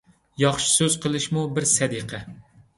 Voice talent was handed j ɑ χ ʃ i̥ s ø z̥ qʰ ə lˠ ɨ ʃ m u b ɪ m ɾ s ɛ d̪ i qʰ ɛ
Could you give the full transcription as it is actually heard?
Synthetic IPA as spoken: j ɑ χ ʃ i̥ s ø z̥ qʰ ə lˠ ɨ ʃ m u b ɪ ɾ s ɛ d̪ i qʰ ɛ